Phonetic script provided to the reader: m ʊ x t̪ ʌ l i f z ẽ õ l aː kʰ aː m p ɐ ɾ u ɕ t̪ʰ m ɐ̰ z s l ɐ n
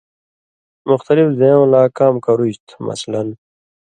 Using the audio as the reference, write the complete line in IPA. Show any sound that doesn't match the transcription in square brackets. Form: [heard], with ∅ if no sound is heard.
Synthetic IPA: m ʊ x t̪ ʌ l i f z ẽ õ l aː [k] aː m [k] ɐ ɾ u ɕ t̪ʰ m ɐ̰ [∅] s l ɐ n